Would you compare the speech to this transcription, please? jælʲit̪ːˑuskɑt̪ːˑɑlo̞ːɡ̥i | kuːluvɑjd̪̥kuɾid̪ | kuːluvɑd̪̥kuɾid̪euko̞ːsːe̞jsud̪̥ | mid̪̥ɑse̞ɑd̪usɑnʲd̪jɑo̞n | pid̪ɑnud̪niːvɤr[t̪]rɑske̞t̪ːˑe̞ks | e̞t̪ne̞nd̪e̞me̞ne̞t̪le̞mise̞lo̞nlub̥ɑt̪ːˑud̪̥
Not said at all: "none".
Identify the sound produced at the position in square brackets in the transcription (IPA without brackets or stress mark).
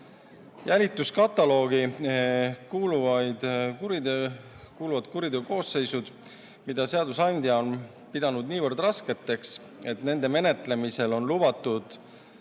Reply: d̪